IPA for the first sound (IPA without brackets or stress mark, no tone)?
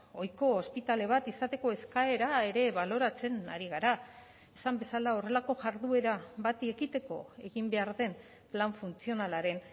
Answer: o̞